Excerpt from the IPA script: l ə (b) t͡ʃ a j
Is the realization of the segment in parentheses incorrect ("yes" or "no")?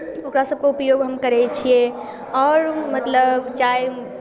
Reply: no